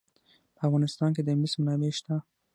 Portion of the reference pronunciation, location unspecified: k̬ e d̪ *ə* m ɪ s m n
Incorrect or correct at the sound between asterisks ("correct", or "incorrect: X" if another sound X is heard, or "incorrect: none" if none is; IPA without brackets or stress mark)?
correct